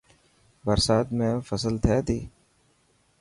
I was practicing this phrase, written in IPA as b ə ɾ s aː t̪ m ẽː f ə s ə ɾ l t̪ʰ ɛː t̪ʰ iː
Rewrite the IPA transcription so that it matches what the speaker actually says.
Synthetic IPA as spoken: b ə ɾ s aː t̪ m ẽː f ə s ə l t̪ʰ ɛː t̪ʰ iː